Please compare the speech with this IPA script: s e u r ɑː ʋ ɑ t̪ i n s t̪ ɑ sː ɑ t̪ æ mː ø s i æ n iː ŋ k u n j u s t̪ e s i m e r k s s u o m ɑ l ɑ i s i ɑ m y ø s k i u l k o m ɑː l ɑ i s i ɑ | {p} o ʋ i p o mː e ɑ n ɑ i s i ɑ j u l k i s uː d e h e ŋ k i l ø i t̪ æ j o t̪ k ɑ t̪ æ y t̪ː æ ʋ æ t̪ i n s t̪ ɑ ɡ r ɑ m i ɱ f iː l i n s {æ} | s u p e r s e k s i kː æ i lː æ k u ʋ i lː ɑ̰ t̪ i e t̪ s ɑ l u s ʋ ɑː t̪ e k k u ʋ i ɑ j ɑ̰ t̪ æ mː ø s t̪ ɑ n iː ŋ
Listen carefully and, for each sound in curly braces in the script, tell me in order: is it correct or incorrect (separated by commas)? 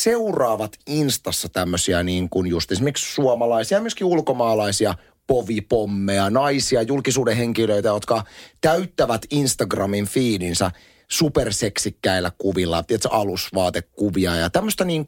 correct, correct